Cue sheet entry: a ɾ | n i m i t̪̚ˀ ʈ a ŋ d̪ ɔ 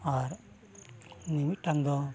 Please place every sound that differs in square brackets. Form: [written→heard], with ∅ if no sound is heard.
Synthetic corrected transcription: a ɾ | n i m i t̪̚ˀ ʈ a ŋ d̪ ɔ